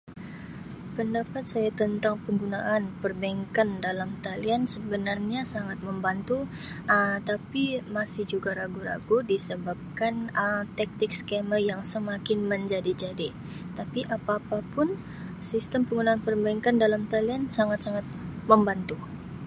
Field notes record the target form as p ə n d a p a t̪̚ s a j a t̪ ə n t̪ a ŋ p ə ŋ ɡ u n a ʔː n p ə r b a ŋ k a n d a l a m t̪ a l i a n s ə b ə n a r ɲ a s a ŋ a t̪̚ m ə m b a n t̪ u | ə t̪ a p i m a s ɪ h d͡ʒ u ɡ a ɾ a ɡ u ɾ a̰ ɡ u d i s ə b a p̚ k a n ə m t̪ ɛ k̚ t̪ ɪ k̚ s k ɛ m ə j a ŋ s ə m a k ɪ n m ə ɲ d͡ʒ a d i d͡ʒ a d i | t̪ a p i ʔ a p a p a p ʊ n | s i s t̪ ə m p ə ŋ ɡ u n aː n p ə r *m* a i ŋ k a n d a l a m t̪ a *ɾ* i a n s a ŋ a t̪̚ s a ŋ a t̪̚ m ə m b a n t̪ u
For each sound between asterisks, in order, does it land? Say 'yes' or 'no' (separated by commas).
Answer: no, no